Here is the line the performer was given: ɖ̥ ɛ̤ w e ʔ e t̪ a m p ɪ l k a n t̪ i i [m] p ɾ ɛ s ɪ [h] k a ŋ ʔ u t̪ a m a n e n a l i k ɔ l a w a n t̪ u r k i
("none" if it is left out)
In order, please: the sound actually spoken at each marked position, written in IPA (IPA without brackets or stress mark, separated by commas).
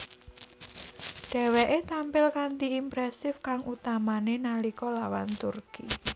m, f